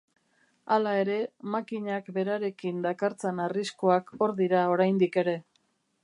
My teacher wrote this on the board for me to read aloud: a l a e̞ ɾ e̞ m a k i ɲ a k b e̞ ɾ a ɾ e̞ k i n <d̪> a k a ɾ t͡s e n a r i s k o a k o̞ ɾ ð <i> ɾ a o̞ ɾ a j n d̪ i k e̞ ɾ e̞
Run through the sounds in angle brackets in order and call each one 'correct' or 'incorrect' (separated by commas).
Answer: correct, correct